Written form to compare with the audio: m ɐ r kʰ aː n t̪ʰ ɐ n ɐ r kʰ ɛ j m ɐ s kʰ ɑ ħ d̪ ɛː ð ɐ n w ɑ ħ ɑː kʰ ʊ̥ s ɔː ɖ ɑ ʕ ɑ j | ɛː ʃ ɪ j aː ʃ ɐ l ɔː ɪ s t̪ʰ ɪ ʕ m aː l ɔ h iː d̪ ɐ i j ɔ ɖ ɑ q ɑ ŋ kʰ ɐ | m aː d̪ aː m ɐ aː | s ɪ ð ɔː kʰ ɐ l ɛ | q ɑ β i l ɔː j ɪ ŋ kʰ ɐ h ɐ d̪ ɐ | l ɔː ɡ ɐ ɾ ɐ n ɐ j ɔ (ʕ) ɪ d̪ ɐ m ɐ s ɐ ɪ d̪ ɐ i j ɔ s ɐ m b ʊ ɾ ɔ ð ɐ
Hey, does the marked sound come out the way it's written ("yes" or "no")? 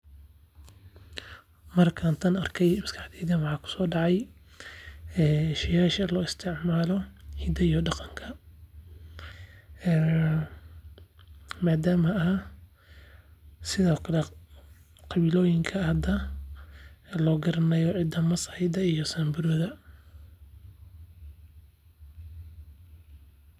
yes